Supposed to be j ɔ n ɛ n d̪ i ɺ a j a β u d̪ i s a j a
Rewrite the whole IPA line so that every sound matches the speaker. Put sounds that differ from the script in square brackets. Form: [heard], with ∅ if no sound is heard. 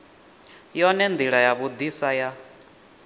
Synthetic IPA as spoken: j ɔ n ɛ n d̪ i ɺ a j a β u d̪ i s a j a